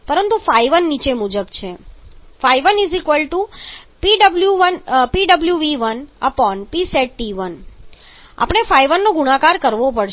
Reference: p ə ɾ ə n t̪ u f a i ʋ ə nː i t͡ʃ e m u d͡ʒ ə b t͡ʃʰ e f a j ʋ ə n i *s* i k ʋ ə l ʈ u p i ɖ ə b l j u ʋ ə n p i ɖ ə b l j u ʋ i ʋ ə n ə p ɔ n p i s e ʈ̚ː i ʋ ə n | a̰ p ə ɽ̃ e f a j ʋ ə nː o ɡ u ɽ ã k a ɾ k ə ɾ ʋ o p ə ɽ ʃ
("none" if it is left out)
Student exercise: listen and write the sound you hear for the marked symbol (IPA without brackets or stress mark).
z